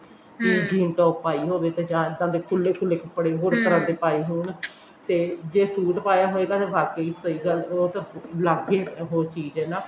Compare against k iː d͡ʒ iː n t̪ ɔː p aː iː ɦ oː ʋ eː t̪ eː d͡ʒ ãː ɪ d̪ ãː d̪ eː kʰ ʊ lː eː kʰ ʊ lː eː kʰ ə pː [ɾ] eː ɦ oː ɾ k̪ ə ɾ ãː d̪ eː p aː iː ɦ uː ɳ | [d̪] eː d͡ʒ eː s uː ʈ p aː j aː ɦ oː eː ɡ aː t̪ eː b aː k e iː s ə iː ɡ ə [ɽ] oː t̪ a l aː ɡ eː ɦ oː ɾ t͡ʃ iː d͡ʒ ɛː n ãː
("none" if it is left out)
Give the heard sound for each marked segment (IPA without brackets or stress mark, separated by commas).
ɽ, t̪, l